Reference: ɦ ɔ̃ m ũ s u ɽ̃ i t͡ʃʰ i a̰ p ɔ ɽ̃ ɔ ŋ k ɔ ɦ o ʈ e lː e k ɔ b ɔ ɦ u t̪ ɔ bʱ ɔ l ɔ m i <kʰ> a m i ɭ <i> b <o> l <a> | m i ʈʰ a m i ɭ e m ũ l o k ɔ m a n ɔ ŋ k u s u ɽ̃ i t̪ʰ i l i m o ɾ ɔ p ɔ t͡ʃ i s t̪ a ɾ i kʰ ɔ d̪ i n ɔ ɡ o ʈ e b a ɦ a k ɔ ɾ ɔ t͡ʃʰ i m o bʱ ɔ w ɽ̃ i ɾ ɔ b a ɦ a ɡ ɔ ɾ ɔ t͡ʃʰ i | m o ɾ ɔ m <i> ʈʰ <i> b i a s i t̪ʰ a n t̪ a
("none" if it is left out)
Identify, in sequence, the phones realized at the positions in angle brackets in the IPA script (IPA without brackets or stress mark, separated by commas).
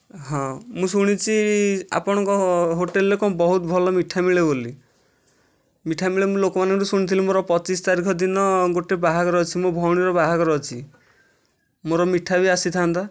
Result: ʈʰ, e, o, i, i, a